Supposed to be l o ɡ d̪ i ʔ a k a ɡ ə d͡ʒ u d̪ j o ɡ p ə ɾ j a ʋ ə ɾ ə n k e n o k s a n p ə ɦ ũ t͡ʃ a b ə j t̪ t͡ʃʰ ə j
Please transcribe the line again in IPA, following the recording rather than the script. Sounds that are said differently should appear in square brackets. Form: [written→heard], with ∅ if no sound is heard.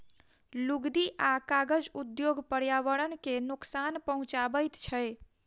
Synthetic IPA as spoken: l [o→u] ɡ d̪ i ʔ a k a ɡ ə d͡ʒ u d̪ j o ɡ p ə ɾ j a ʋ ə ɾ ə n k e n [o→u] k s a n p ə ɦ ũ t͡ʃ a b ə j t̪ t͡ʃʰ ə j